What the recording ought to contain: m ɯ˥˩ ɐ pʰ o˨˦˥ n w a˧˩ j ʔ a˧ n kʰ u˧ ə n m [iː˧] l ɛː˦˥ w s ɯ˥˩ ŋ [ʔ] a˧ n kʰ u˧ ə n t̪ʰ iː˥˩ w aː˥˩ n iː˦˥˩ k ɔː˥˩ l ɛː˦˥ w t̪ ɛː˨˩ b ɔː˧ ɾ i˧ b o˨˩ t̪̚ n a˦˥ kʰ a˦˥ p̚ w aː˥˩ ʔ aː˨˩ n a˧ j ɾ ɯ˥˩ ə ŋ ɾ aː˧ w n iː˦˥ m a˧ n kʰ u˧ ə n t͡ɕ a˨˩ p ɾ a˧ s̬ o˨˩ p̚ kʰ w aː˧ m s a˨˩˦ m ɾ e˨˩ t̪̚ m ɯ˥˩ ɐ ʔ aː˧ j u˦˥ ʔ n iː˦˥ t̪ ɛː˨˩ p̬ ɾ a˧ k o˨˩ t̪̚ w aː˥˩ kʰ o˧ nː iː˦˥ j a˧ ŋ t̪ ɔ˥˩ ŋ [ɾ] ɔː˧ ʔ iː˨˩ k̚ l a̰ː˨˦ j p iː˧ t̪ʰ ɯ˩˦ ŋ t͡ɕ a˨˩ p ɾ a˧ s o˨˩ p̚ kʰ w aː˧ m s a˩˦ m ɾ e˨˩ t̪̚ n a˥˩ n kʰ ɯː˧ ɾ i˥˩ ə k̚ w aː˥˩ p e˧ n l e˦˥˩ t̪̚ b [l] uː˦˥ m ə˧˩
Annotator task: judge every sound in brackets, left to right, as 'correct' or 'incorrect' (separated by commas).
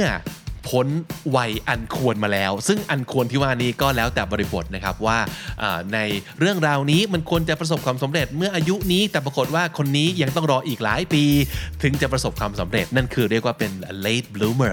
incorrect, correct, correct, correct